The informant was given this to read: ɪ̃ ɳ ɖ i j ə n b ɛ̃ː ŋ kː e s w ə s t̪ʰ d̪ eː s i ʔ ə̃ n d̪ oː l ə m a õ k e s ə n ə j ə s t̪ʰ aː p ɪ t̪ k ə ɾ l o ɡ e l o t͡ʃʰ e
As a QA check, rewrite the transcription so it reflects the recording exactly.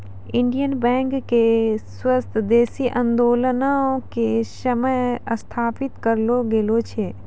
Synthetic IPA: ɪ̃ ɳ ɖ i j ə n b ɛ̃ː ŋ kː e s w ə s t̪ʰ d̪ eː s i ʔ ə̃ n d̪ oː l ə n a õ k e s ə m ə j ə s t̪ʰ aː p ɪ t̪ k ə ɾ l o ɡ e l o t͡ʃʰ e